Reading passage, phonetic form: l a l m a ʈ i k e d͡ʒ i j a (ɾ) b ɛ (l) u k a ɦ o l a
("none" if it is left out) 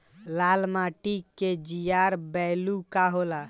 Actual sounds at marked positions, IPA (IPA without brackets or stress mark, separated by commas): ɾ, l